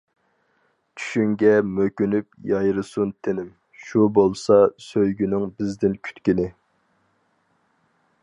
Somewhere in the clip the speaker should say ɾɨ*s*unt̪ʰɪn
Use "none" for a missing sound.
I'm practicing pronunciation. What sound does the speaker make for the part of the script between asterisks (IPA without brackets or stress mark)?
s